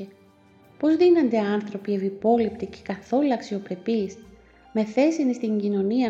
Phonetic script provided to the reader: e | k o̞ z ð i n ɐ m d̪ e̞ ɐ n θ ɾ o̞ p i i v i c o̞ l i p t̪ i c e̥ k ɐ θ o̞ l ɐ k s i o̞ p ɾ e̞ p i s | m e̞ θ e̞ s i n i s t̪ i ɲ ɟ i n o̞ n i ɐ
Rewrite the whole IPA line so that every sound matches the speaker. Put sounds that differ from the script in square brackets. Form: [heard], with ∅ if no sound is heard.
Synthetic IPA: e | [p] o̞ z ð i n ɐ [n] d̪ e̞ ɐ n θ ɾ o̞ p i [e] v i [p] o̞ l i p t̪ i c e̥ k ɐ θ o̞ l ɐ k s i o̞ p ɾ e̞ p i s | m e̞ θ e̞ s i n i s t̪ i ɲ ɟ i n o̞ n i ɐ